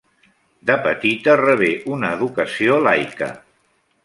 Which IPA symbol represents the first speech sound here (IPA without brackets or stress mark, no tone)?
d̪